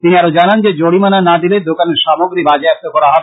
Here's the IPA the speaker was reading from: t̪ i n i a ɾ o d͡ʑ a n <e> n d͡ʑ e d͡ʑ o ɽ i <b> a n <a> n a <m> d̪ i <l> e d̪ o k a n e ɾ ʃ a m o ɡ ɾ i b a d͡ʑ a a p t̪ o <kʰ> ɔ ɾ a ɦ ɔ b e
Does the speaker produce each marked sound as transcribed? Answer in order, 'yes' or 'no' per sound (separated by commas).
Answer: no, no, yes, no, yes, no